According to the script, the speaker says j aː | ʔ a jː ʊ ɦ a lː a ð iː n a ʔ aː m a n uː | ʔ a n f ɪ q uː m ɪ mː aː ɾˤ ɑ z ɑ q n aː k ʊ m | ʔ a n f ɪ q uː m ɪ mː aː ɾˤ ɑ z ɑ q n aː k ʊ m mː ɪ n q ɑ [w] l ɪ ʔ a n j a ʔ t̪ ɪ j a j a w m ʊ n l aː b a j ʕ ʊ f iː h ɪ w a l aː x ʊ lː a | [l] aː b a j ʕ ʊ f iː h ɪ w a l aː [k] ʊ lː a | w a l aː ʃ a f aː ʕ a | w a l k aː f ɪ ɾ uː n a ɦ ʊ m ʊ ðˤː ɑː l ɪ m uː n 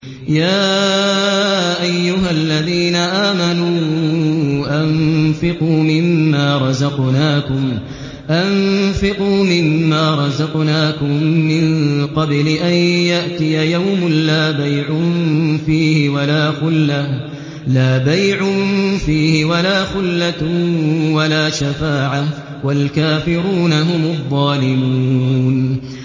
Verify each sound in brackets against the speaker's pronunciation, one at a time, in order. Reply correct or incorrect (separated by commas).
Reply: incorrect, correct, incorrect